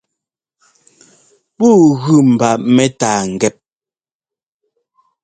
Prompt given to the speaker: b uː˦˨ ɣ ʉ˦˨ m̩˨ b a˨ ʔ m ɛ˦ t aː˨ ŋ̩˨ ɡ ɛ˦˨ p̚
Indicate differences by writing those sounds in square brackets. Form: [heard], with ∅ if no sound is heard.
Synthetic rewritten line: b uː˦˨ ɣ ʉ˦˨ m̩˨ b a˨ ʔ m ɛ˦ t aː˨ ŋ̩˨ ɡ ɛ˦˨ p̚

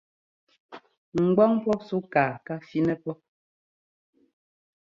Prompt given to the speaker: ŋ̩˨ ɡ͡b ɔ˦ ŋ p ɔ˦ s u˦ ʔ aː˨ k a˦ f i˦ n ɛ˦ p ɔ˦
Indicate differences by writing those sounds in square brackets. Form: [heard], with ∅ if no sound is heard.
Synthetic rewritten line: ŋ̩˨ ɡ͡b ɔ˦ ŋ p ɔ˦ s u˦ [k] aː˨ k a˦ f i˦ n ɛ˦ p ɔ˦

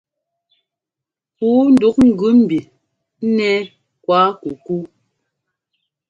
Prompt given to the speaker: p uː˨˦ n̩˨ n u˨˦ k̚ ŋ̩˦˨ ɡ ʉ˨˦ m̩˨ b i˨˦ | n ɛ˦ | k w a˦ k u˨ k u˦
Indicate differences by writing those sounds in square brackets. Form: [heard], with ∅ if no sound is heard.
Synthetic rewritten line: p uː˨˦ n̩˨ [d] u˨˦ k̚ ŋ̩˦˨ ɡ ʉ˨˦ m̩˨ b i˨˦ | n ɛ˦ | k w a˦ k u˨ k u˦

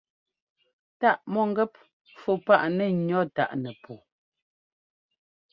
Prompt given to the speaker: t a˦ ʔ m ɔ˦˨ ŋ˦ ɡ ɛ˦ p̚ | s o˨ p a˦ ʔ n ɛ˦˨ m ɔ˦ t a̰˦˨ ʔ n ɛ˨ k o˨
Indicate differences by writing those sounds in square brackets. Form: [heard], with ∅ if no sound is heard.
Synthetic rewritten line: t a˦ ʔ m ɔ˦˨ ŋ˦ ɡ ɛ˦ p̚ | [f] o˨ p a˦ ʔ n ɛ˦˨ [ɲ] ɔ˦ t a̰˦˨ ʔ n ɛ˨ [p] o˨

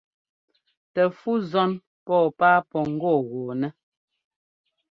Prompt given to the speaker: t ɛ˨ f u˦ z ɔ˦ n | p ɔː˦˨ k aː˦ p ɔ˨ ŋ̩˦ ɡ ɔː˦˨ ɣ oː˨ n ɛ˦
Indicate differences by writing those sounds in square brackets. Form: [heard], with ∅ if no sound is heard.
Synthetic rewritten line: t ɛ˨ f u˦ z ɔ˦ n | p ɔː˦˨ [p] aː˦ p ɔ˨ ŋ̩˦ ɡ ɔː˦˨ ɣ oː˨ n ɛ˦

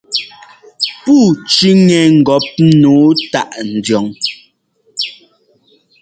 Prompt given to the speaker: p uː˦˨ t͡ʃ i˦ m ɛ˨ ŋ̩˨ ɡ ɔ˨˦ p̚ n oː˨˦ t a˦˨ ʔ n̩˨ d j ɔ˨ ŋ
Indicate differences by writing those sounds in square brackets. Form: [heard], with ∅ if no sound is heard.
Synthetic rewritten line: p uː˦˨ t͡ʃ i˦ [ŋ] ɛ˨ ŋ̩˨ ɡ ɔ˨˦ p̚ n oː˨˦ t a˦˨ ʔ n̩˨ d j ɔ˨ ŋ

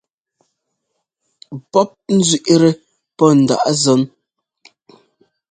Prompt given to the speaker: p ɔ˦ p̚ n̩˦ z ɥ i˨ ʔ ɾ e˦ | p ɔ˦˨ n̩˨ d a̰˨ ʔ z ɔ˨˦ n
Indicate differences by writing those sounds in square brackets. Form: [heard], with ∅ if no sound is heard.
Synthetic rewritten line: p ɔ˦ p̚ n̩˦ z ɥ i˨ ʔ ɾ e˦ | p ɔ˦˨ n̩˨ d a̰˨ ʔ z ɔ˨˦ n

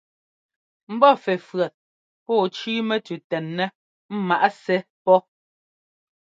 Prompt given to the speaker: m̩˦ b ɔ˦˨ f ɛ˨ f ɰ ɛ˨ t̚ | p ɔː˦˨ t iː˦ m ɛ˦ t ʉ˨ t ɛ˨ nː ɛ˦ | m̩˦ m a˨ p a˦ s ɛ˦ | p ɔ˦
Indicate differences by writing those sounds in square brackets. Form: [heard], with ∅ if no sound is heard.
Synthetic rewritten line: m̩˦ b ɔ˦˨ f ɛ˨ f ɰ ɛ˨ t̚ | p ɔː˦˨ [t͡ʃ] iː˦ m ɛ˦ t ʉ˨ t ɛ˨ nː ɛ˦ | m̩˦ m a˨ [ʔ] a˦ s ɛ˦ | p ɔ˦

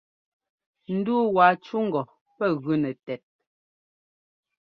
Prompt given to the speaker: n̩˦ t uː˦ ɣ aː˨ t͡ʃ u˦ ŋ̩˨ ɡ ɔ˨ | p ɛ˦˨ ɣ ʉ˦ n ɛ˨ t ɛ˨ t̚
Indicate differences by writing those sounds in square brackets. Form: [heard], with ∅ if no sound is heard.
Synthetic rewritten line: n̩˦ [d] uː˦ [w] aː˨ t͡ʃ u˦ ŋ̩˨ ɡ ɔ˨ | p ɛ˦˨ ɣ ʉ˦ n ɛ˨ t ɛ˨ t̚

